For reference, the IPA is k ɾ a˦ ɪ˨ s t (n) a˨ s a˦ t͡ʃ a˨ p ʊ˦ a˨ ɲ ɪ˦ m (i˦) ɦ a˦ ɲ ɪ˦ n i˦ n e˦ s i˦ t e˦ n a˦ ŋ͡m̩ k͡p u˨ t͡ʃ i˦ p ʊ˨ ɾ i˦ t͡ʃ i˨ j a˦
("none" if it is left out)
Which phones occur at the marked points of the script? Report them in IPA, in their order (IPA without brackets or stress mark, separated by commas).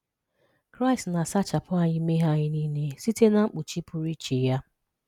n, e˦